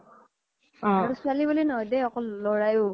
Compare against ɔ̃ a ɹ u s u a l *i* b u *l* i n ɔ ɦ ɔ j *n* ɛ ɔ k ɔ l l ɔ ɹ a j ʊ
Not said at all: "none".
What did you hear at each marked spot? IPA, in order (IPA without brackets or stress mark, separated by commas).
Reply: i, l, d